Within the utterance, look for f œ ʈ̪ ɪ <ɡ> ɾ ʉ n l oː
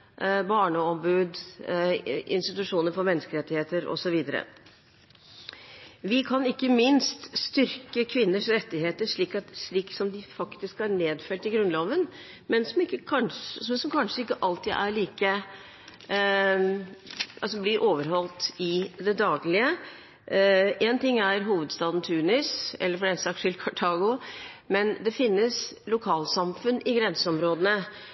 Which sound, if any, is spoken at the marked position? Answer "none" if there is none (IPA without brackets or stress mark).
ɡ